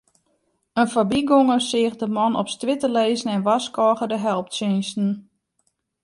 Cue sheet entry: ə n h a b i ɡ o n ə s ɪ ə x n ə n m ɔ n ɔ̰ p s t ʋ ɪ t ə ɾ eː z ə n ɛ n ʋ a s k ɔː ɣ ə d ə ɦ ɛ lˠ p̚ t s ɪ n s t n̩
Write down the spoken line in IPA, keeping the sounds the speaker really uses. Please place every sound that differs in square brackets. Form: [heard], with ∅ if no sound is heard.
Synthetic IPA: ə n [f] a b i ɡ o [ŋ] ə s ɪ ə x [d] ə [∅] m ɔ n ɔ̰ p s t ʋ ɪ t ə [l] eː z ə n ɛ n ʋ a s k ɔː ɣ ə d ə ɦ ɛ lˠ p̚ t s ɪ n s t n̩